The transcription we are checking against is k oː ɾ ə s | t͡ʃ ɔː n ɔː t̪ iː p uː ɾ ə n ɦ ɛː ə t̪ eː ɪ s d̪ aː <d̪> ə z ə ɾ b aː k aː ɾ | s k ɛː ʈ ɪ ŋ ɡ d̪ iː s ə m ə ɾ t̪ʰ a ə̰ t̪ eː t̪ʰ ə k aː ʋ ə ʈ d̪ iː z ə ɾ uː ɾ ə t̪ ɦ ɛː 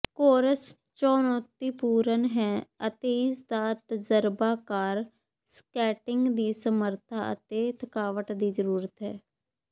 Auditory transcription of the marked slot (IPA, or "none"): t̪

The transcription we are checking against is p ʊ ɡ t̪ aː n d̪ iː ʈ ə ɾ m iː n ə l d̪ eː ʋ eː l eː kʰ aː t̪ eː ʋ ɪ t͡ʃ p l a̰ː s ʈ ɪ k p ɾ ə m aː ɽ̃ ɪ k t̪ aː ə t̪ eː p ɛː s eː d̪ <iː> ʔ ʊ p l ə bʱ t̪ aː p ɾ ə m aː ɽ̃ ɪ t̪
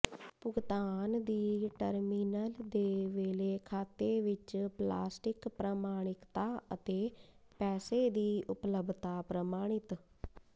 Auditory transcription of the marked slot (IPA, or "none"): iː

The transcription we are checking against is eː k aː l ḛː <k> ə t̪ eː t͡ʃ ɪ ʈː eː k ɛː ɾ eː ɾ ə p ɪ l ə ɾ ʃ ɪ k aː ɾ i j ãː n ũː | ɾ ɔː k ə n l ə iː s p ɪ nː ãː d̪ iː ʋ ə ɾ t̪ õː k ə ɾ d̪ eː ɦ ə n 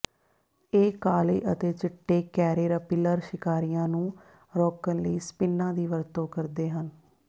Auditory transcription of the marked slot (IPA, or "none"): ʔ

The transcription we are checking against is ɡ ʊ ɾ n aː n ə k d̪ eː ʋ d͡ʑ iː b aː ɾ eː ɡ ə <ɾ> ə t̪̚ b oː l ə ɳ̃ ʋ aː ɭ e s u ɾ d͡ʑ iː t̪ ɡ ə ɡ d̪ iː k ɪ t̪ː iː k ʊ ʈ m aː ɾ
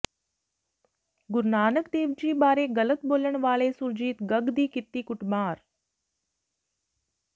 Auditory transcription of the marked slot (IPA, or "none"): l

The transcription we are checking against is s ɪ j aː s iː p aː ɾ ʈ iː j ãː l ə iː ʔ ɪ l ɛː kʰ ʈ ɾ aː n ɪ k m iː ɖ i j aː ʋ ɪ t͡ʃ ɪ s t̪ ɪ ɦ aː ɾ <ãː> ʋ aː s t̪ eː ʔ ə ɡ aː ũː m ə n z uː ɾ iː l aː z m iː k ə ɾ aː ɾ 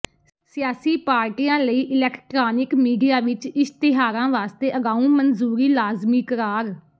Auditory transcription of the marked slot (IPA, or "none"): ãː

